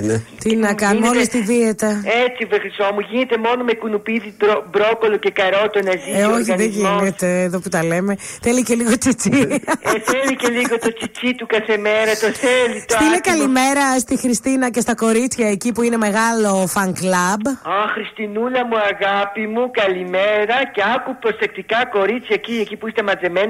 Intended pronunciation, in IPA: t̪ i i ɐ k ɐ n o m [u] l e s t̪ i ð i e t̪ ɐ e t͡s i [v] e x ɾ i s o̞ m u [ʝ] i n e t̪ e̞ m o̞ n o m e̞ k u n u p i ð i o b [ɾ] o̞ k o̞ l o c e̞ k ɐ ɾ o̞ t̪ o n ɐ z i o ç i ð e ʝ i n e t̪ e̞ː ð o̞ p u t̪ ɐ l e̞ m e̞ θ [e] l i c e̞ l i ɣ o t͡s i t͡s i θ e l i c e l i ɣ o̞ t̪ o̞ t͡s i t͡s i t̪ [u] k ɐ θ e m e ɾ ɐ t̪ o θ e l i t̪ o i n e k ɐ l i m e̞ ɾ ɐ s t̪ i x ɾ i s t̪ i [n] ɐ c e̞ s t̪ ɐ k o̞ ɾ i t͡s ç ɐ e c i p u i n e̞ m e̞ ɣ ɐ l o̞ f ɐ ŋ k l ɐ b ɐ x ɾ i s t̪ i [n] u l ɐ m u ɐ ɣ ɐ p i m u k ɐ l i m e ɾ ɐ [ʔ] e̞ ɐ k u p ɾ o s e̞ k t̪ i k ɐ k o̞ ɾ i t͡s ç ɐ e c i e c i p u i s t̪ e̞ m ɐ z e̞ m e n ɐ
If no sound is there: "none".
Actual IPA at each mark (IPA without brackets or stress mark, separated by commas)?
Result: o, v, ʝ, ɾ, e, u, n, n, c